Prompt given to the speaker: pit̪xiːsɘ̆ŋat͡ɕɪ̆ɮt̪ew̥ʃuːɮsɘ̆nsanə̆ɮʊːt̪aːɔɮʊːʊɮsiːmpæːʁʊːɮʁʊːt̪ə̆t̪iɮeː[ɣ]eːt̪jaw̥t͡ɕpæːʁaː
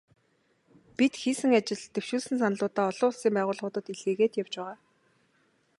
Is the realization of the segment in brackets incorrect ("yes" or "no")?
no